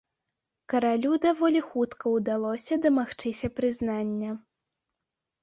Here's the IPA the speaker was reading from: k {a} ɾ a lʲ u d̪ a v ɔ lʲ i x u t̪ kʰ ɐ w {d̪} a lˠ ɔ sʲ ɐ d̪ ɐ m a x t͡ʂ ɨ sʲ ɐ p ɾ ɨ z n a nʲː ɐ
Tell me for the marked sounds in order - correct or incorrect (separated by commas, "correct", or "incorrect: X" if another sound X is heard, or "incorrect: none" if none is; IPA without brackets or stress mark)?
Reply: incorrect: ɐ, correct